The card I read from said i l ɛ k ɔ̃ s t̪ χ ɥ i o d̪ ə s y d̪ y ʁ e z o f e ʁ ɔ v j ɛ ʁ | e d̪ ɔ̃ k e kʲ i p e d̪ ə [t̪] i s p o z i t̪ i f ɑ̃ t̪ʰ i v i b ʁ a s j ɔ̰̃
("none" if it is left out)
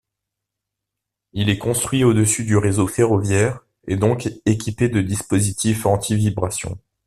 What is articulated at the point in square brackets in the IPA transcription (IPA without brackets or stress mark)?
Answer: d̪